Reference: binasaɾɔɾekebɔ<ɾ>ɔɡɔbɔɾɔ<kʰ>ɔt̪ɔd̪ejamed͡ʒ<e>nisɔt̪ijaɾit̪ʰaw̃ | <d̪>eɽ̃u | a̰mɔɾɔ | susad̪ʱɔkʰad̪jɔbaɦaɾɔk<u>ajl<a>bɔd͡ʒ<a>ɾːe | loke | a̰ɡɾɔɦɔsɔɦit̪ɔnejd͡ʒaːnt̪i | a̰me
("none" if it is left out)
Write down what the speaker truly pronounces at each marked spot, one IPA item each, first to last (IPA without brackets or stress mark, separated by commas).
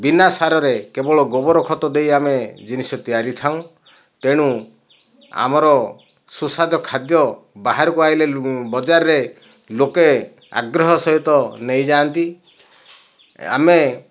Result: ɭ, kʰ, i, t̪, u, e, a